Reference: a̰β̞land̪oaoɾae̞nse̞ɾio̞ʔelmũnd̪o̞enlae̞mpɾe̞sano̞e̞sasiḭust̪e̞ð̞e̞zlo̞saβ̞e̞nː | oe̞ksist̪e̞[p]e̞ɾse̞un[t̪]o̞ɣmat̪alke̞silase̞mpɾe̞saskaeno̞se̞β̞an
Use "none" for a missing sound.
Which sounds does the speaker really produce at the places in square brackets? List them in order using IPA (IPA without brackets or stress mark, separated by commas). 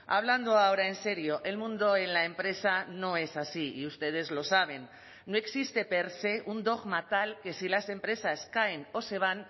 p, d̪